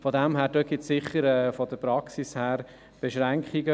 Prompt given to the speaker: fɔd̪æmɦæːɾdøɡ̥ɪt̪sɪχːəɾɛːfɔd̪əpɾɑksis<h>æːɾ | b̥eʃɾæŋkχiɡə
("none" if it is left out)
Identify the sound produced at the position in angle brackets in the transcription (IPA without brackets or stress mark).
h